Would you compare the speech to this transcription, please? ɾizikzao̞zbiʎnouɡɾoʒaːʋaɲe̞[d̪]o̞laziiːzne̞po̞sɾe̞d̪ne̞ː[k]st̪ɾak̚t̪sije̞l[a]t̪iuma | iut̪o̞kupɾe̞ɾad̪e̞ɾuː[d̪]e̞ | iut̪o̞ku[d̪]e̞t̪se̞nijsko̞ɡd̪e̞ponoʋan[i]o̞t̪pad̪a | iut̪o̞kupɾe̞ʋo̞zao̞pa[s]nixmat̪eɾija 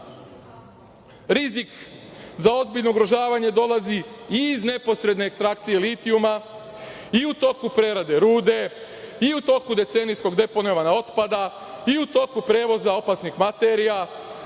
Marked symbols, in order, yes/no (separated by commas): yes, yes, no, yes, yes, no, yes